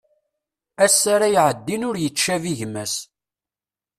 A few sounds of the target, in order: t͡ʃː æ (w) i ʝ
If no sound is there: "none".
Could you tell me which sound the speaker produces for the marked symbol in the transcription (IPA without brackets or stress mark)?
v